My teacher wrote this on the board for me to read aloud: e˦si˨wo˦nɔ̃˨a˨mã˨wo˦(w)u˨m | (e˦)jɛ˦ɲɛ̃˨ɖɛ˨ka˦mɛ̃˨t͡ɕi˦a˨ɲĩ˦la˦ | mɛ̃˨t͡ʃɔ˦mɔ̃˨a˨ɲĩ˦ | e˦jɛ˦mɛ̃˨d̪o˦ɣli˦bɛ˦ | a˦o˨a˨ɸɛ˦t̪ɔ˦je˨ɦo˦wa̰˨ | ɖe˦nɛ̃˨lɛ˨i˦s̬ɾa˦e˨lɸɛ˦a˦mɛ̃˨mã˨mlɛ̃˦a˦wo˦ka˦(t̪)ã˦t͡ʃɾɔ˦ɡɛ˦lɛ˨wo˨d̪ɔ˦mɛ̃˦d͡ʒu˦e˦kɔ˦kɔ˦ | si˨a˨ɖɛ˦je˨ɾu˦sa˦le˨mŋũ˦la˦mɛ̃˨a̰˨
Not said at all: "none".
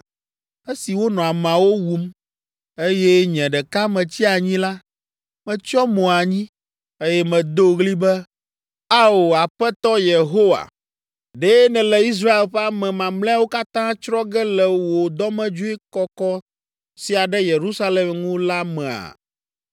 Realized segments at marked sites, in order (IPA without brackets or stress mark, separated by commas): w, e˦, t̪